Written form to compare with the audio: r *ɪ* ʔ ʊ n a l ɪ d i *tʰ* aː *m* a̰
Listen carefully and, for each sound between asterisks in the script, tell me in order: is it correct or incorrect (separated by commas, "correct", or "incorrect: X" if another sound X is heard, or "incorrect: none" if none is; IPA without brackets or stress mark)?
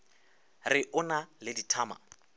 correct, correct, correct